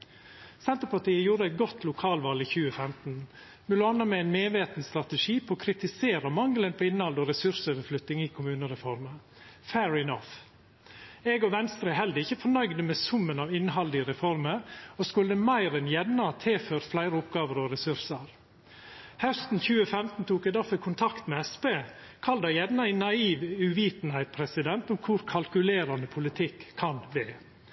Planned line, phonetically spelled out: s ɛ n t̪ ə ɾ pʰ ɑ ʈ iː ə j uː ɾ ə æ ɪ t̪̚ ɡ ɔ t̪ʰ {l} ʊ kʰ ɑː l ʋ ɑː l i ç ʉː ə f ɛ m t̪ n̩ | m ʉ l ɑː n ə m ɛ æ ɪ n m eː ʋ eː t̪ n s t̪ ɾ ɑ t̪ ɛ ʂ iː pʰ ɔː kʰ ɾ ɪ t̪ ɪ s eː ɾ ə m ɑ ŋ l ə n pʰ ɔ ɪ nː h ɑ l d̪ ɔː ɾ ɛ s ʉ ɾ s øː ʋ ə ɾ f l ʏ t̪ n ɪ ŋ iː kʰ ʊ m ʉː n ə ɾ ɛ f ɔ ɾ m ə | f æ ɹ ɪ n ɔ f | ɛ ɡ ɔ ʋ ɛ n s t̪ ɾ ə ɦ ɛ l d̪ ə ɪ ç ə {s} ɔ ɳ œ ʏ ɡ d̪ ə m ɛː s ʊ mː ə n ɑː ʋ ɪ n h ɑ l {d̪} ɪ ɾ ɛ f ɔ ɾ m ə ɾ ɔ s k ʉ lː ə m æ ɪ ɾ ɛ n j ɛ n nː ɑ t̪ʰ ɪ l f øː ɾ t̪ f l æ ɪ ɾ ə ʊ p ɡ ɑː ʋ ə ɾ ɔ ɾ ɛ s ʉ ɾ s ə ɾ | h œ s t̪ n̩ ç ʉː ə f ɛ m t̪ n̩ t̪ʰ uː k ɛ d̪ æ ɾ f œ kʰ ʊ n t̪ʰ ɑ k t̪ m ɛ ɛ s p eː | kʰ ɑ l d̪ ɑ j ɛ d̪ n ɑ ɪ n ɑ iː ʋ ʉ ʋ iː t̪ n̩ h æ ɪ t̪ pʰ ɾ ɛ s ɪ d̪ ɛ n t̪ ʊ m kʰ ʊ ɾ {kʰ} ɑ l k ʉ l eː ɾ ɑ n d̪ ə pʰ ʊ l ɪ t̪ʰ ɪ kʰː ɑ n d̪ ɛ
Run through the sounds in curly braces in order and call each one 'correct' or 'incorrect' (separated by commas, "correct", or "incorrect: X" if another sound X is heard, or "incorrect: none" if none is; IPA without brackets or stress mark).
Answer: correct, incorrect: f, correct, correct